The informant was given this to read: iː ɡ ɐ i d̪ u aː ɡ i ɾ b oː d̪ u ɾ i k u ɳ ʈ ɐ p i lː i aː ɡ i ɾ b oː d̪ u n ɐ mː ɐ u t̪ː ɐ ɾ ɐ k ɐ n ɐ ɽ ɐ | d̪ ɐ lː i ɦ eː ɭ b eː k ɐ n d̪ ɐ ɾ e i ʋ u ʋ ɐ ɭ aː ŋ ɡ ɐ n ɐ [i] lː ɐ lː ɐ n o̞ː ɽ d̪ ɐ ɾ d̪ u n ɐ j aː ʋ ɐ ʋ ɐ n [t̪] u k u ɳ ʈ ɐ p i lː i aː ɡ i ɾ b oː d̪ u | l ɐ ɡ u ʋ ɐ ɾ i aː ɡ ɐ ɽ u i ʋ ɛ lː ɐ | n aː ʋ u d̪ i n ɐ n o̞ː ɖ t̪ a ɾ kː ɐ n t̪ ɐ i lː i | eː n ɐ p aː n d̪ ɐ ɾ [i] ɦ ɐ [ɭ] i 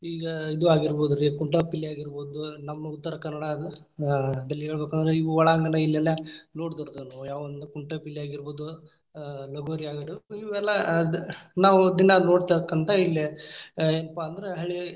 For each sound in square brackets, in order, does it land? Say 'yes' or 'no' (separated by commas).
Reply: yes, no, no, yes